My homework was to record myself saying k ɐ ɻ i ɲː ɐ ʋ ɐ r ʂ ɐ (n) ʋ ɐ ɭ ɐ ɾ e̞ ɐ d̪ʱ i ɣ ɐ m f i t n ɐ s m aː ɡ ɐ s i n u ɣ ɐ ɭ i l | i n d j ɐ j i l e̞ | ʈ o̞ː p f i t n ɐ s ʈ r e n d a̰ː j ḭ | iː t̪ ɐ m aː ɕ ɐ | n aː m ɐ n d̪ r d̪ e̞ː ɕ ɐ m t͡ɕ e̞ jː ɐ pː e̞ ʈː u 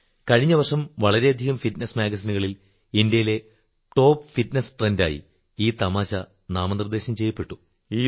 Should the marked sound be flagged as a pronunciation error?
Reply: yes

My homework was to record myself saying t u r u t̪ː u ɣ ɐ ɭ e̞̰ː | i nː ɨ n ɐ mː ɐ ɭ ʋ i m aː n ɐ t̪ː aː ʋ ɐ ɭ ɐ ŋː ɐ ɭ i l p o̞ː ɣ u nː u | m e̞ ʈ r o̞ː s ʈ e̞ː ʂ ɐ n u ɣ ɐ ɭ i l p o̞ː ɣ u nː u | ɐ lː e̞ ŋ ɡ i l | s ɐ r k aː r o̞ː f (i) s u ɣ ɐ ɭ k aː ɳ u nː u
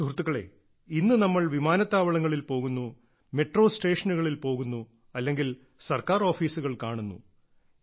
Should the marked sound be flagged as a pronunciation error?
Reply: yes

